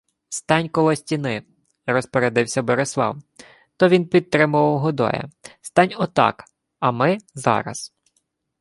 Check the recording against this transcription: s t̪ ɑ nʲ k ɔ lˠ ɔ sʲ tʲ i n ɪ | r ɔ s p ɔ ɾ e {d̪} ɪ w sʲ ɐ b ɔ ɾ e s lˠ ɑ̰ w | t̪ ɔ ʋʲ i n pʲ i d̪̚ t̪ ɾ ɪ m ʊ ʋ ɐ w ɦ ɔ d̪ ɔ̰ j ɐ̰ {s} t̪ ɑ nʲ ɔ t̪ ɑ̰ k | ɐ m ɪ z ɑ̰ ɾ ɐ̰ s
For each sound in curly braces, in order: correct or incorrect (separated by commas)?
correct, correct